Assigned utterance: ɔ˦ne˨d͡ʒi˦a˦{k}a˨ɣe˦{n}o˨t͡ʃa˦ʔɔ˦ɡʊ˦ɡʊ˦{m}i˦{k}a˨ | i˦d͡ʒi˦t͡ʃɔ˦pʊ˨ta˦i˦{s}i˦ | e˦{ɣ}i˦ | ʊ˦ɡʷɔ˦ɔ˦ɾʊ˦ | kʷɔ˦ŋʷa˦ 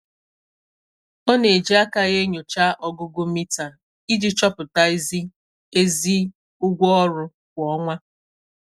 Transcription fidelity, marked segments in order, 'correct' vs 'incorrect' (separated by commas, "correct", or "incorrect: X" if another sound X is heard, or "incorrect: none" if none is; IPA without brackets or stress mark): correct, incorrect: ɲ, correct, incorrect: t, incorrect: z, incorrect: z